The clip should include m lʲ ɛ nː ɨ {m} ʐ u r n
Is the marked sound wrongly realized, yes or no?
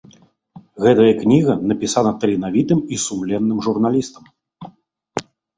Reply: no